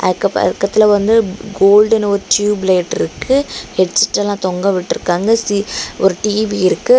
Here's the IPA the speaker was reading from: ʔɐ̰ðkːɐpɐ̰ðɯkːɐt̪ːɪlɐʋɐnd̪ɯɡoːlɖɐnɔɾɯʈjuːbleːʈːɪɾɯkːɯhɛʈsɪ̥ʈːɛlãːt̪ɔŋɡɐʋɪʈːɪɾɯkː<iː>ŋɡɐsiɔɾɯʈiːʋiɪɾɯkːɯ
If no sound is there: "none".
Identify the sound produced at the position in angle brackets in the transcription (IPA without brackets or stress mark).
aː